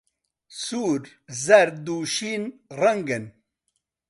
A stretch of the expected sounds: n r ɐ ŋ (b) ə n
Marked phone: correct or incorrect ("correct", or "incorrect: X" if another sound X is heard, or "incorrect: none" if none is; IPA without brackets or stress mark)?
incorrect: ɡ